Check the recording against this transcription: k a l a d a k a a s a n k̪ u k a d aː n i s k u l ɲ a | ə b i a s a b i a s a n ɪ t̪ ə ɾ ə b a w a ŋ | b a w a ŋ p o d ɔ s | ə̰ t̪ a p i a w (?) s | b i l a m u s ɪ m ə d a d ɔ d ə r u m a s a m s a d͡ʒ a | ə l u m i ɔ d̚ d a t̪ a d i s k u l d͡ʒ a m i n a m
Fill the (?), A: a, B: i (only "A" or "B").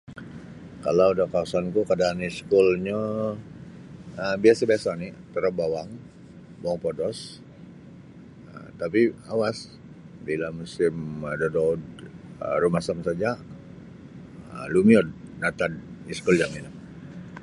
A